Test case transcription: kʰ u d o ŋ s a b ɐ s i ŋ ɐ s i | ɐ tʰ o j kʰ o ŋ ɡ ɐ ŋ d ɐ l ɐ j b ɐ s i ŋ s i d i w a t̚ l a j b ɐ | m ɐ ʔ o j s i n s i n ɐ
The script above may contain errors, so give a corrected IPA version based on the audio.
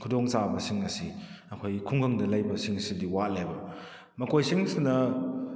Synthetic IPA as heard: kʰ u d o ŋ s a b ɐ s i ŋ ɐ s i | ɐ kʰ o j kʰ u ŋ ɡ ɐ ŋ d ɐ l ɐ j b ɐ s i ŋ s i d i w a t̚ l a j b ɐ | m ɐ k o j s i ŋ s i n ɐ